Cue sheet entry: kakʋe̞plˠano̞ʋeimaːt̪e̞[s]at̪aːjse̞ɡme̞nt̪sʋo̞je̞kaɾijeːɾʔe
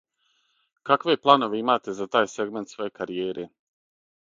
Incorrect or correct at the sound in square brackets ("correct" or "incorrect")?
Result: incorrect